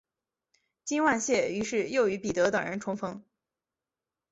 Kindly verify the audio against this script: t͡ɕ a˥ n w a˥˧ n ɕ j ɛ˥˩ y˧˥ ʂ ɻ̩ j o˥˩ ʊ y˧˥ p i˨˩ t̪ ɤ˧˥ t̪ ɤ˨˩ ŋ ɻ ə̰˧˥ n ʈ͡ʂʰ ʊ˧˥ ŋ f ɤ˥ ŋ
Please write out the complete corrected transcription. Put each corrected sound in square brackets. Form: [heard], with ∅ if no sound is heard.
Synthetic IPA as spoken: t͡ɕ [i˥] n w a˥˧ n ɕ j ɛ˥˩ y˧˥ ʂ ɻ̩ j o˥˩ ʊ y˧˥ p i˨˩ t̪ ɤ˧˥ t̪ ɤ˨˩ ŋ ɻ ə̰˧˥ n ʈ͡ʂʰ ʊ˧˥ ŋ f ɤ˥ ŋ